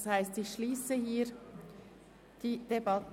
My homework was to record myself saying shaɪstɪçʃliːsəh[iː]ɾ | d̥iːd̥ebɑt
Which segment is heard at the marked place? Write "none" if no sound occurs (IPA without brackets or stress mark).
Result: iː